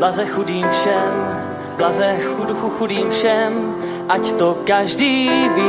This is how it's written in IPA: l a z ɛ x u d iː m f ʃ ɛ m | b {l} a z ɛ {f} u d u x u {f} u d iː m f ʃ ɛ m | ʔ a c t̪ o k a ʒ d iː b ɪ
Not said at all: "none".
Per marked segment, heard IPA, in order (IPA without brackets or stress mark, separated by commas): l, x, x